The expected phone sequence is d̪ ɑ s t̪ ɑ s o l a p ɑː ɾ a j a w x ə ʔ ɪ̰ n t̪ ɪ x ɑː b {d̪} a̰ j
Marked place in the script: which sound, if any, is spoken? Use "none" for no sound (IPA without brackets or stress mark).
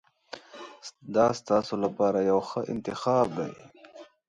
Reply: d̪